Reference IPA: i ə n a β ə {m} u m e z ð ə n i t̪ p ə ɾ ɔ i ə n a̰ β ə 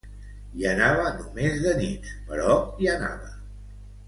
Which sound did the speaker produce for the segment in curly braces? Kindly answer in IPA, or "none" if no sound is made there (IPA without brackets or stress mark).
n